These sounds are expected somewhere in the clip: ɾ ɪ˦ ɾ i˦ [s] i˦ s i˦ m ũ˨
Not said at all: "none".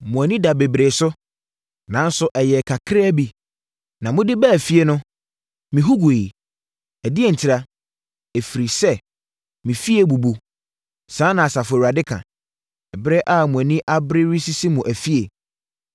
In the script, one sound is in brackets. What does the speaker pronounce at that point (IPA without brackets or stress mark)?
s